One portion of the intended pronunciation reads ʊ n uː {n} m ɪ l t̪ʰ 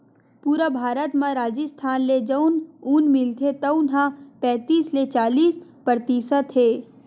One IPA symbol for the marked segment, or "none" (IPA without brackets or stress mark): n